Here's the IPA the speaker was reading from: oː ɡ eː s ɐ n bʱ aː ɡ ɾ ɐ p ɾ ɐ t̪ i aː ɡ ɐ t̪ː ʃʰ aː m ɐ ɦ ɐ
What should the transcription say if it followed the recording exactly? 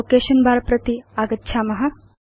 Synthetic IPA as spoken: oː k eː ʃ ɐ n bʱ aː ɾ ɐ p ɾ ɐ t̪ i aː ɡ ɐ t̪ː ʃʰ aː m ɐ ɦ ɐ

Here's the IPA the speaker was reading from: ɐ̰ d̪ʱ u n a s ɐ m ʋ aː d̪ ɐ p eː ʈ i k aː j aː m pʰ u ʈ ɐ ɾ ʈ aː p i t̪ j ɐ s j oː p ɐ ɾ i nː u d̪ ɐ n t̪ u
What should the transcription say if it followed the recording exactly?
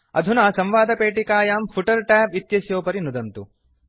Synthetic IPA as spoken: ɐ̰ d̪ʱ u n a s ɐ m ʋ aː d̪ ɐ p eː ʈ i k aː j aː m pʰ u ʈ ɐ ɾ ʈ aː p i t̪ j ɐ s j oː p ɐ ɾ i n u d̪ ɐ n t̪ u

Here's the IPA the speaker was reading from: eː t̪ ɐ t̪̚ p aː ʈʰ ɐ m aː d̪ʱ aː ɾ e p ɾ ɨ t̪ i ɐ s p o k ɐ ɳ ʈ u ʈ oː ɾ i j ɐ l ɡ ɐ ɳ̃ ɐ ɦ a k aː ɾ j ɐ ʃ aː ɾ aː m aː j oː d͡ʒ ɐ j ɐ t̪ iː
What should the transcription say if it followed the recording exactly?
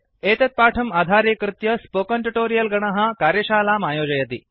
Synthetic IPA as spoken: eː t̪ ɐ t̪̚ p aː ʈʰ ɐ m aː d̪ʱ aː ɾ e k ɾ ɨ t̪ j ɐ s p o k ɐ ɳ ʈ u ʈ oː ɾ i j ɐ l ɡ ɐ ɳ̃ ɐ ɦ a k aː ɾ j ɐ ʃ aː l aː m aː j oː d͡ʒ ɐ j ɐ t̪ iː

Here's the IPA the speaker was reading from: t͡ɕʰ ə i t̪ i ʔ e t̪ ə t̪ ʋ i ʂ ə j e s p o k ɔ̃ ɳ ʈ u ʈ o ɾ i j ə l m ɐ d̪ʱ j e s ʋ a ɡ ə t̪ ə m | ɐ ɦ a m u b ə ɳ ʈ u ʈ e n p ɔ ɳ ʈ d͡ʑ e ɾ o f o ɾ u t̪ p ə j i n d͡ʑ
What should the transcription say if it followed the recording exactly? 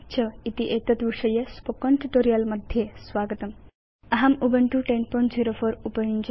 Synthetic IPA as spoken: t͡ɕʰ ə i t̪ i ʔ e t̪ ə t̪ ʋ i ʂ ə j e s p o k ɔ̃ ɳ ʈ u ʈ o ɾ i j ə l m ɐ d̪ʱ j e s ʋ a ɡ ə t̪ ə m | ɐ ɦ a m u b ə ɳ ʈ u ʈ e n p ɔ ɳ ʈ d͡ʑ i ɾ o f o ɾ u p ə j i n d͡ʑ

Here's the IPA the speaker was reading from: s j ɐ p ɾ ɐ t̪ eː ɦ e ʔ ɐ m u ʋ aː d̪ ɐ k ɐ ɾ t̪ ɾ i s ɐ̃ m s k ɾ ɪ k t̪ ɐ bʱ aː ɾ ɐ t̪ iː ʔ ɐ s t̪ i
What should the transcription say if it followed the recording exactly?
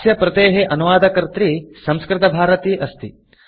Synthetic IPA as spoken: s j ɐ p ɾ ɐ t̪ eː ɦ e ʔ ɐ n u ʋ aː d̪ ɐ k ɐ ɾ t̪ ɾ i s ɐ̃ m s k ɾ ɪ t̪ ɐ bʱ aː ɾ ɐ t̪ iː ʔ ɐ s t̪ i

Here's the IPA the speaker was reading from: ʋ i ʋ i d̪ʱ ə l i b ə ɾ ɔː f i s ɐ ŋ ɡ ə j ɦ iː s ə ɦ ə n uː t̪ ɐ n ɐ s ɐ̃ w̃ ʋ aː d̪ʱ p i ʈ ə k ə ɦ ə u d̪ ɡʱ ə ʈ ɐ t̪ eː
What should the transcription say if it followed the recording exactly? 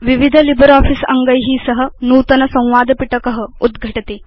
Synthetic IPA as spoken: ʋ i ʋ i d̪ʱ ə l i b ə ɾ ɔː f i s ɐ ŋ ɡ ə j ɦ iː s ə ɦ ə n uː t̪ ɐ n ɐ s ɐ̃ w̃ ʋ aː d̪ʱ p i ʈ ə k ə ɦ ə u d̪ ɡʱ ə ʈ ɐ t̪ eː

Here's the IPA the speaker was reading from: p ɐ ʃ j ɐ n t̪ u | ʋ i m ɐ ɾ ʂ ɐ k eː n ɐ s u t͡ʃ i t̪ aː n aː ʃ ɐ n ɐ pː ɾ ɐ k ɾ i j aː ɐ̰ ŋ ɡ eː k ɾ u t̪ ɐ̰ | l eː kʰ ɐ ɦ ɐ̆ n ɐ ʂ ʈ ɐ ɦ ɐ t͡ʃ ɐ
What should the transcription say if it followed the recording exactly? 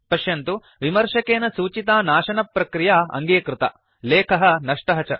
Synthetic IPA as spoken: p ɐ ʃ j ɐ n t̪ u | ʋ i m ɐ ɾ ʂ ɐ k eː n ɐ s uː t͡ʃ i t̪ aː n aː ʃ ɐ n ɐ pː ɾ ɐ k ɾ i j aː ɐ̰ ŋ ɡ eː k ɾ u t̪ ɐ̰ | l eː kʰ ɐ ɦ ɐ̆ n ɐ ʂ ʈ ɐ ɦ ɐ t͡ʃ ɐ

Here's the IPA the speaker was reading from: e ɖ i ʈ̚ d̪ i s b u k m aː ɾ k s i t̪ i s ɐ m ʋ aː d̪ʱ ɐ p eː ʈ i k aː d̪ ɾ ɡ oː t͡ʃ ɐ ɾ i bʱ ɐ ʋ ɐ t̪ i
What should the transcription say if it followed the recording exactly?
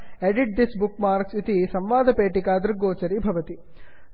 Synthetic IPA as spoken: e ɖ i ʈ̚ d̪ i s b u k m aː ɾ k s i t̪ i s ɐ m ʋ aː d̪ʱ ɐ p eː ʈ i k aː d̪ ɾ ɡ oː t͡ʃ ɐ ɾ i bʱ ɐ ʋ ɐ t̪ i

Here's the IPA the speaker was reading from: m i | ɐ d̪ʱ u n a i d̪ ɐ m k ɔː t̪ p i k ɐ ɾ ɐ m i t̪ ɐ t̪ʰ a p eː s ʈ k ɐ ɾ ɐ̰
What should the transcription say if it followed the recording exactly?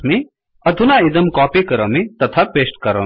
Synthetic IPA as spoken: m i | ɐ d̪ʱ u n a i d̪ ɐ m k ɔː p i k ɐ ɾ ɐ m i t̪ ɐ t̪ʰ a p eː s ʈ k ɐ ɾ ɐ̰

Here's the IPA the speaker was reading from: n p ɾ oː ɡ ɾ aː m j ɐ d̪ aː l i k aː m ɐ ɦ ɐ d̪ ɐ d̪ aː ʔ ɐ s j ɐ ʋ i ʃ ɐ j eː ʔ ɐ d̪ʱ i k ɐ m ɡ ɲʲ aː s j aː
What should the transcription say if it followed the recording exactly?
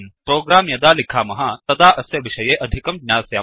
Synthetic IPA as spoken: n p ɾ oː ɡ ɾ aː m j ɐ d̪ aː l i kʰ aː m ɐ ɦ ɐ t̪ ɐ d̪ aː ʔ ɐ s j ɐ ʋ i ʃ ɐ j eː ʔ ɐ d̪ʱ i k ɐ m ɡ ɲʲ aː s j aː

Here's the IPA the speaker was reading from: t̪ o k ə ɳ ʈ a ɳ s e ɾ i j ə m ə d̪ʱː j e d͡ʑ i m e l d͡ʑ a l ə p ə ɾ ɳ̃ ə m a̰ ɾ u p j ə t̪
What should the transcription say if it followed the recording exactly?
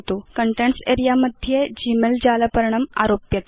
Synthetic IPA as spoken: t̪ o k ə ɳ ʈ e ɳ s e ɾ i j a m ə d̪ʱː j e d͡ʑ i m e l d͡ʑ a l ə p ə ɾ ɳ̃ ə m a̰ ɾ o p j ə t̪

